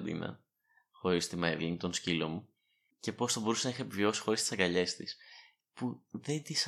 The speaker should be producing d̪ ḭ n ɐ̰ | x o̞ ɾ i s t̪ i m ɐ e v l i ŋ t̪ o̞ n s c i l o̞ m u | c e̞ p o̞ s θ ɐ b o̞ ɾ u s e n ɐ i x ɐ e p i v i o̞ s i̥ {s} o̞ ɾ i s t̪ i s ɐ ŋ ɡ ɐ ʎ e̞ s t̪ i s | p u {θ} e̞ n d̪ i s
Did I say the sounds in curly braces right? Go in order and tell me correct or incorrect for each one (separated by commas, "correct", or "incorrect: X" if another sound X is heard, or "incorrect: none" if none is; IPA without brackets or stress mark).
incorrect: x, incorrect: ð